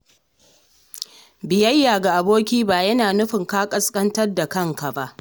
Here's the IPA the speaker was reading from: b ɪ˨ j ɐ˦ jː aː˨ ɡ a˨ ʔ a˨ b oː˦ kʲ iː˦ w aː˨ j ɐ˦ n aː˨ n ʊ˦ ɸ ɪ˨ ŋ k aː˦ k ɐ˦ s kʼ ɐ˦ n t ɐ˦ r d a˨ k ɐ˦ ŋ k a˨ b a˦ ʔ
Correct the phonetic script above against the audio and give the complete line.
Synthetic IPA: b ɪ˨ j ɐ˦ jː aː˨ ɡ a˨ ʔ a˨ b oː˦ kʲ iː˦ b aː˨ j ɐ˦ n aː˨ n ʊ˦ ɸ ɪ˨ ŋ k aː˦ kʼ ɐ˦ s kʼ ɐ˦ n t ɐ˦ r d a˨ k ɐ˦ ŋ k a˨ b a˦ ʔ

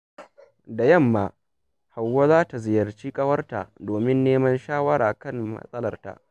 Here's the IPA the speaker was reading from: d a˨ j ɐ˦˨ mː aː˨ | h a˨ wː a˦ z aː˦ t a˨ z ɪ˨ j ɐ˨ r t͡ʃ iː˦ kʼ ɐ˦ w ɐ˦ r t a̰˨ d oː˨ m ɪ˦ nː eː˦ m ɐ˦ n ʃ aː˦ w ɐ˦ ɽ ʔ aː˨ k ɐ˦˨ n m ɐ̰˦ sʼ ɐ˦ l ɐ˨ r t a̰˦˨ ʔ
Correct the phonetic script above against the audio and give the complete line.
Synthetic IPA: d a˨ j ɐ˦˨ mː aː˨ | h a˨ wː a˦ z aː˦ t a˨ z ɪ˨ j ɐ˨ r t͡ʃ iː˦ kʼ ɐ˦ w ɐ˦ r t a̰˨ d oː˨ m ɪ˦ nː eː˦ m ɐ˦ n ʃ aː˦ w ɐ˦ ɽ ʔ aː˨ k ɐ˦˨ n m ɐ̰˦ sʼ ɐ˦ l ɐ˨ r t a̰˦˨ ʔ

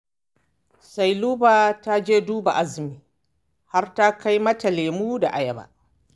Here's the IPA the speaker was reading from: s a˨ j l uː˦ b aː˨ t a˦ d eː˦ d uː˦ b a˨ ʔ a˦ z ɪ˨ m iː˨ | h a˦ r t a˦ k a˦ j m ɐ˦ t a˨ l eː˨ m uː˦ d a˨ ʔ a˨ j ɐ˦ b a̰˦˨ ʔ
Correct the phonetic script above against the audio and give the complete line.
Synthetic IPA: s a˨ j l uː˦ b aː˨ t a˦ d͡ʒ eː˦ d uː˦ b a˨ ʔ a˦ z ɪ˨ m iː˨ | h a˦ r t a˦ k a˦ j m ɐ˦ t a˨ l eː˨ m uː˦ d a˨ ʔ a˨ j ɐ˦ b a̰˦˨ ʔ

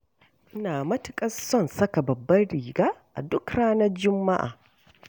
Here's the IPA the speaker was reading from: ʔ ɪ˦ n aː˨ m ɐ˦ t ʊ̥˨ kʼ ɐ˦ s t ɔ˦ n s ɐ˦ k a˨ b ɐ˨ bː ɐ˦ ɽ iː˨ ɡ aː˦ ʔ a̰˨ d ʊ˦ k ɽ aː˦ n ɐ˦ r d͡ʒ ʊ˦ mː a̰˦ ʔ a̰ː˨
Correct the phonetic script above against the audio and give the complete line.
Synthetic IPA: ʔ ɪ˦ n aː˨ m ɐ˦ t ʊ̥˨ kʼ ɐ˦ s s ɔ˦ n s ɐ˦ k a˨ b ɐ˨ bː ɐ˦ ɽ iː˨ ɡ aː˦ ʔ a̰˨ d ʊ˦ k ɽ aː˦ n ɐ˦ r d͡ʒ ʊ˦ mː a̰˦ ʔ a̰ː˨

